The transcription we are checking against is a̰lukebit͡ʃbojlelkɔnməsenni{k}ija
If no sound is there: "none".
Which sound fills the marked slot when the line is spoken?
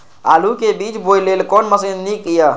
k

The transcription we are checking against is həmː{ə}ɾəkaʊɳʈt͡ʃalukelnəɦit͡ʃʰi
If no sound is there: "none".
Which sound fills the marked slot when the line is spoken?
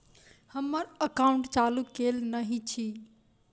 ə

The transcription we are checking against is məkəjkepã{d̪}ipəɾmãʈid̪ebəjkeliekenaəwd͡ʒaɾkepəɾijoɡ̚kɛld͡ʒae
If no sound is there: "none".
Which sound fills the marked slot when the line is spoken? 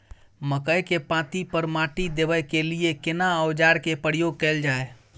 t̪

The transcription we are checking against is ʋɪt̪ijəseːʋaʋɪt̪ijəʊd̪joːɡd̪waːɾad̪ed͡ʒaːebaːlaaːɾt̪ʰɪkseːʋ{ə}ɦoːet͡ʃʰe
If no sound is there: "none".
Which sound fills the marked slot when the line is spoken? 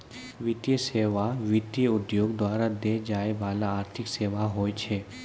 a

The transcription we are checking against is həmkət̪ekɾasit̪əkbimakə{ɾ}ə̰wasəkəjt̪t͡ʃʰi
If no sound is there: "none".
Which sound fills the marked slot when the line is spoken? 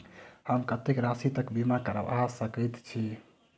ɾ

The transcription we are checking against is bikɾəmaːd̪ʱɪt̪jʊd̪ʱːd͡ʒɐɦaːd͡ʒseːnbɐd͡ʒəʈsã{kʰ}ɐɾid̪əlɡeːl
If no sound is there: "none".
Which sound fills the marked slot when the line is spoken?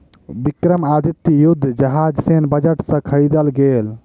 kʰ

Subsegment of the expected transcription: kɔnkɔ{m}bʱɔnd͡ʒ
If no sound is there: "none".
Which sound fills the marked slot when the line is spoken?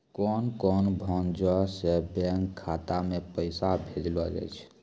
n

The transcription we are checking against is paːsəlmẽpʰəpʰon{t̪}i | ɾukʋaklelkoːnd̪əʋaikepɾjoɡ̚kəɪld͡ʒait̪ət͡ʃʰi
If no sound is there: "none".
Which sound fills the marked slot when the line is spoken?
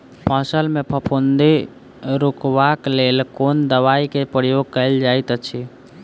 d̪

